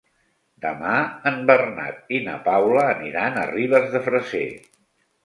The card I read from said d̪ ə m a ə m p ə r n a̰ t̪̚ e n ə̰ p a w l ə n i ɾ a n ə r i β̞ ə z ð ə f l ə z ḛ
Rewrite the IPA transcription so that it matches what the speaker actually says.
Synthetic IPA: d̪ ə m a ə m b ə r n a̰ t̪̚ i n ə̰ p a w l əː n i ɾ a n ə r i β̞ ə z ð ə f ɾ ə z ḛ